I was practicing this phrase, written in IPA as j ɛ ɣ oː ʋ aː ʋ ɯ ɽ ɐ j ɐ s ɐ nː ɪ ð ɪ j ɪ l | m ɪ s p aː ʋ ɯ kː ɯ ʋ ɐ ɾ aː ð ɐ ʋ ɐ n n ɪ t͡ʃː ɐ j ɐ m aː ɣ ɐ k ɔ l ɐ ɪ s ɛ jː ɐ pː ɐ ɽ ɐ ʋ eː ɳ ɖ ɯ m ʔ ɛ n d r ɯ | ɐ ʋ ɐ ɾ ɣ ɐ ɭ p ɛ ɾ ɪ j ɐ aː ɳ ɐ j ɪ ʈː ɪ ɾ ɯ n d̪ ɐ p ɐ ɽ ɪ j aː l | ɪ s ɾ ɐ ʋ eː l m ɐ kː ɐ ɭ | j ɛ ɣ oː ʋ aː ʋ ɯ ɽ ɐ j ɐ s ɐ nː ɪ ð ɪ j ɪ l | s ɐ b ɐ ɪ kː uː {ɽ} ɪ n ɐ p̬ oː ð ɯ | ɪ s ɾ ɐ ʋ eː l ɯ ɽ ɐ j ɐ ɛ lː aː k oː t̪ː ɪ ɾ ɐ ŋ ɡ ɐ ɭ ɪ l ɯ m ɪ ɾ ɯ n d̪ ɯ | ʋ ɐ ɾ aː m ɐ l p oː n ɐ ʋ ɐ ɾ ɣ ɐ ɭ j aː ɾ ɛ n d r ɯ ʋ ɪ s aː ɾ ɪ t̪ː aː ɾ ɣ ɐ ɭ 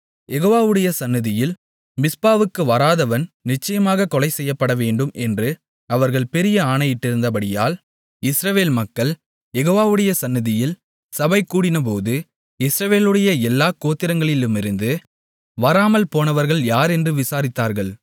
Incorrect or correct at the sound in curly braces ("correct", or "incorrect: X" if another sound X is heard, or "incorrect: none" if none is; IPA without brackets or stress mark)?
correct